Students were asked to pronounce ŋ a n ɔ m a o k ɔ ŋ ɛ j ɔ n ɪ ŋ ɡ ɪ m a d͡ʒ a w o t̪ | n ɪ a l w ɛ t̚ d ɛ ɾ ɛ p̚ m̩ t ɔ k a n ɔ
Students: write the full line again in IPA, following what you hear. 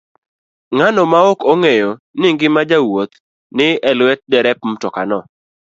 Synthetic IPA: ŋ a n ɔ m a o k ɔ ŋ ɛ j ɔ n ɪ ŋ ɡ ɪ m a d͡ʒ a w o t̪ | n ɪ ɛ l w ɛ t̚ d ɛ ɾ ɛ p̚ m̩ t ɔ k a n ɔ